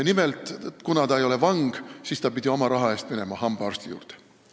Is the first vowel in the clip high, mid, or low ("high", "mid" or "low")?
high